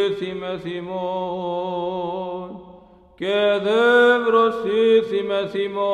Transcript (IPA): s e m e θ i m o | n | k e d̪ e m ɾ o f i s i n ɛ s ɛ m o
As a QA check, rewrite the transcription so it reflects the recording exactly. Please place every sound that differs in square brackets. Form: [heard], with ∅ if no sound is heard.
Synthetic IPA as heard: s [i] m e [s] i m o | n | k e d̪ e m ɾ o [s] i s i [m] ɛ s [i] m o